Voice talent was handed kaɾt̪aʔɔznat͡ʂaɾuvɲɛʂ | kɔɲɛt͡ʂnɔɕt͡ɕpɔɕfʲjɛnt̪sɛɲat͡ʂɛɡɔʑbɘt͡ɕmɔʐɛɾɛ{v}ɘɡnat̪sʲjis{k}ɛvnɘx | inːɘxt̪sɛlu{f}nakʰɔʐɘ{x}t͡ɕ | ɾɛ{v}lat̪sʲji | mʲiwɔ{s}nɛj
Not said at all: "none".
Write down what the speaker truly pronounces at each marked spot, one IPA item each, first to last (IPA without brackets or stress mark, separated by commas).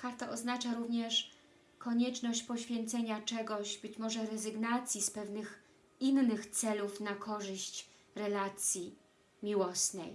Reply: z, p, f, ɕ, none, s